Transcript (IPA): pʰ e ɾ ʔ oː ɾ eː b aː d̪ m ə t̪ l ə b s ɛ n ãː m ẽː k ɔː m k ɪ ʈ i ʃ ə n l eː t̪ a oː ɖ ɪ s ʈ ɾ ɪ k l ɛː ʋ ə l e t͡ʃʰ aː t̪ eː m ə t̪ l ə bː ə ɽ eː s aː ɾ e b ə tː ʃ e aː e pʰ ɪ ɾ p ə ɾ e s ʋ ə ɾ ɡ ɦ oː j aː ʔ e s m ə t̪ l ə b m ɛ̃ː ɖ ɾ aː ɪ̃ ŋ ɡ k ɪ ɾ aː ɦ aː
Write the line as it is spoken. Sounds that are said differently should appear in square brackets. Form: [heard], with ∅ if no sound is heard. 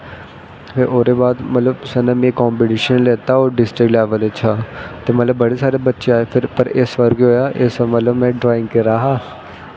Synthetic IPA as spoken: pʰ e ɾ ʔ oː ɾ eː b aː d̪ m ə t̪ l ə b s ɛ n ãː m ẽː k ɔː m [p] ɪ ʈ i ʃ ə n l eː t̪ a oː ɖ ɪ s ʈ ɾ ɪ k l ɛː ʋ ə l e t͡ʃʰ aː t̪ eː m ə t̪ l ə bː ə ɽ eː s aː ɾ e b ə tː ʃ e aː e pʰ ɪ ɾ p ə ɾ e s ʋ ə ɾ ɡ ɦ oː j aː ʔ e s m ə t̪ l ə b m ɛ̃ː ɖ ɾ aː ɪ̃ ŋ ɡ k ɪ ɾ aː ɦ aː